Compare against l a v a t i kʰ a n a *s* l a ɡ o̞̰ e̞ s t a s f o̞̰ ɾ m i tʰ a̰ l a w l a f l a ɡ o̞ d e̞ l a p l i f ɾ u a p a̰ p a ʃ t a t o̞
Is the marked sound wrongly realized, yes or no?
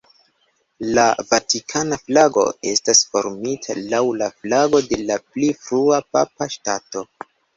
yes